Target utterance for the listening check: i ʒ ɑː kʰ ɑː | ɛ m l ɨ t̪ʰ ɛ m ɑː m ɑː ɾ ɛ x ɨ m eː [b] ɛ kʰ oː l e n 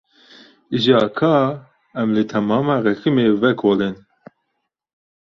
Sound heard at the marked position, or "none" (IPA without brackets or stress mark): v